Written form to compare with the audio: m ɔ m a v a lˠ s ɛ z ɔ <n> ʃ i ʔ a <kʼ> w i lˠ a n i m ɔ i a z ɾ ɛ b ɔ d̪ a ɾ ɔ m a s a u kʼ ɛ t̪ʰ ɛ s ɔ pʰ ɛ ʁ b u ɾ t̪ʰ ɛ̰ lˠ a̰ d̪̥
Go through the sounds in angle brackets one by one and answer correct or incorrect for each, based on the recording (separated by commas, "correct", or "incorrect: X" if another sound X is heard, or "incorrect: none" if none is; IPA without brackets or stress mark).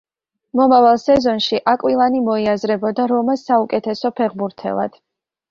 correct, correct